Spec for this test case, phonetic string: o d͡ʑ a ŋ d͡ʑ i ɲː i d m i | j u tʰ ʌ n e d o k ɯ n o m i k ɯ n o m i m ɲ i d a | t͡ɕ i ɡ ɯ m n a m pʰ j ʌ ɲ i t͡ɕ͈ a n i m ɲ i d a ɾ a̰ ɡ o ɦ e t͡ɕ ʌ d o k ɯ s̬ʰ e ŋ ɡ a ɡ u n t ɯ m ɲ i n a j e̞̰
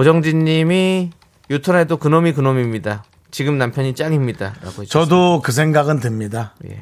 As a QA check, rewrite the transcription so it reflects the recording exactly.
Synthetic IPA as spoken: o d͡ʑ ʌ ŋ d͡ʑ i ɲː i m i | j u tʰ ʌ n e d o k ɯ n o m i k ɯ n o m i m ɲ i d a | t͡ɕ i ɡ ɯ m n a m pʰ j ʌ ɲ i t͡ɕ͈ a ŋ i m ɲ i d a ɾ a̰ ɡ o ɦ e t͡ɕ ʌ d o k ɯ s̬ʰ e ŋ ɡ a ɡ ɯ n t ɯ m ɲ i d a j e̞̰